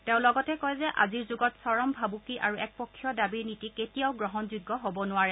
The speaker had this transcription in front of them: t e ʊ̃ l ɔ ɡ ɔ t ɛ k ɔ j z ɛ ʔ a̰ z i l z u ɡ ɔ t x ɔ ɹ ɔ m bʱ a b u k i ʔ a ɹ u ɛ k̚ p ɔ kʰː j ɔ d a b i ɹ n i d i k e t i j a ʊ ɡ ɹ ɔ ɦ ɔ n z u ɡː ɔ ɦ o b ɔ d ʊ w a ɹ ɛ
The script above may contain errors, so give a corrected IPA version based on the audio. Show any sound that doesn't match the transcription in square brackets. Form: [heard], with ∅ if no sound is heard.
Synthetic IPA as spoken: t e ʊ̃ l ɔ ɡ ɔ t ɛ k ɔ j z ɛ ʔ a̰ z i [ɹ] z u ɡ ɔ t [s] ɔ ɹ ɔ m bʱ a b u k i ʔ a ɹ u ɛ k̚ p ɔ kʰː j ɔ d a b i ɹ n i [t] i k e t i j a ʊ ɡ ɹ ɔ ɦ ɔ n z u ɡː ɔ ɦ o b ɔ [n] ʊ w a ɹ ɛ